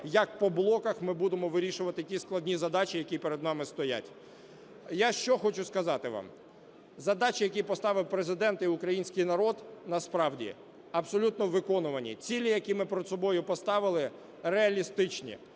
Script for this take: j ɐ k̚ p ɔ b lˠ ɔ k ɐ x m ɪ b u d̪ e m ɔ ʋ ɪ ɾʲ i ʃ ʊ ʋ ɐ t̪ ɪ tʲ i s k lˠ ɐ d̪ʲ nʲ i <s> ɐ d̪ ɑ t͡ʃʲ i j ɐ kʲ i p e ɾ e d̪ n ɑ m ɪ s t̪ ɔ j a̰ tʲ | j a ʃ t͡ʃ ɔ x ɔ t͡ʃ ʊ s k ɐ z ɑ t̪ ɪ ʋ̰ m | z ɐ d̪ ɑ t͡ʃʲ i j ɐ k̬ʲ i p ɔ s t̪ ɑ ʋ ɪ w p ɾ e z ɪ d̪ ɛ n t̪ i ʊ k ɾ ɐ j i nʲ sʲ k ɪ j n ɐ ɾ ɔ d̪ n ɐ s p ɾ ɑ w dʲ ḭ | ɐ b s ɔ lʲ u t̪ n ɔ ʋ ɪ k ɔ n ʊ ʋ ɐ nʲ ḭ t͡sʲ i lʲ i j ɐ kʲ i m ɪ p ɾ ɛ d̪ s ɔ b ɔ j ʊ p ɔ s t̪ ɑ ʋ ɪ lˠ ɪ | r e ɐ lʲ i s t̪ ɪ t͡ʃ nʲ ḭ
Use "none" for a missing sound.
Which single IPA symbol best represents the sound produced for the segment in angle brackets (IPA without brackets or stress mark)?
z